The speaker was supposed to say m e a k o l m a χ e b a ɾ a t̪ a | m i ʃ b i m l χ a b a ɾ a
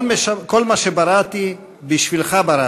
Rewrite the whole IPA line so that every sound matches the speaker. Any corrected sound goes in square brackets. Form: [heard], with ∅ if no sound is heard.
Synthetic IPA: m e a k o l m a [ʃ] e b a ɾ a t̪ [i] | [b] i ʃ [v] i [∅] l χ a b a ɾ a